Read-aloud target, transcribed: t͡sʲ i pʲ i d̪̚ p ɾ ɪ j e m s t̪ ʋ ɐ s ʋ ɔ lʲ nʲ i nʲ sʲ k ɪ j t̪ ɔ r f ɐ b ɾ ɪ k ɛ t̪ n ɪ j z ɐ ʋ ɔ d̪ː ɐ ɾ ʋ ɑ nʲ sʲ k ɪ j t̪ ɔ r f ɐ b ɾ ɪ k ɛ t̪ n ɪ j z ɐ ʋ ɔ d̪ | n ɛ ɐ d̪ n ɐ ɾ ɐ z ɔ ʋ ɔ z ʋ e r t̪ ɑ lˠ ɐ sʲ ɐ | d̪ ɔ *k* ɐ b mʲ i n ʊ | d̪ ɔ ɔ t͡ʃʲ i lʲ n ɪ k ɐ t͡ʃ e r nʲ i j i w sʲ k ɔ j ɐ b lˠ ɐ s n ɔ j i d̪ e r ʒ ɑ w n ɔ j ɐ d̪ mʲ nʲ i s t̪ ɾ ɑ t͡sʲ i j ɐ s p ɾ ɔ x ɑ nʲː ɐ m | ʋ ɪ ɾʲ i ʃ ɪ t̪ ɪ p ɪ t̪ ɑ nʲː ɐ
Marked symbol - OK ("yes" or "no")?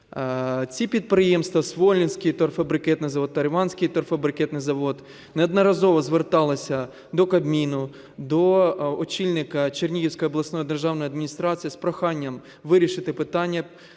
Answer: yes